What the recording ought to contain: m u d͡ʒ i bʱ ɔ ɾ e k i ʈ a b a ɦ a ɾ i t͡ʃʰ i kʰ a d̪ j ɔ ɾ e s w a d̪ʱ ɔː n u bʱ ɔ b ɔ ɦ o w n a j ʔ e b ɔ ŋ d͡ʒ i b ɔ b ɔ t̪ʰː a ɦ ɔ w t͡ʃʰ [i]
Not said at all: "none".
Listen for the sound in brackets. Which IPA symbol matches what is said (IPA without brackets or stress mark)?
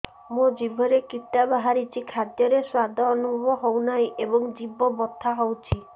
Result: i